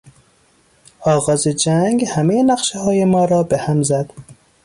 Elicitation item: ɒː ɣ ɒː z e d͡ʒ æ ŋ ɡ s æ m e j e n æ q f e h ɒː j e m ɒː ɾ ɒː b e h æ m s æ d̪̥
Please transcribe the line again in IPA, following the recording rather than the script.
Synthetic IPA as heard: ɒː ɣ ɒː z e d͡ʒ æ ŋ ɡ h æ m e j e n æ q ʃ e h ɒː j e m ɒː ɾ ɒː b e h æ m z æ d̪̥